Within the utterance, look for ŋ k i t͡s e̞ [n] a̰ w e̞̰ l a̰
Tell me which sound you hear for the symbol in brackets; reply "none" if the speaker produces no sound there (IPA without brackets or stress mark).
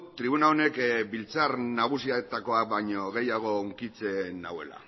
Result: n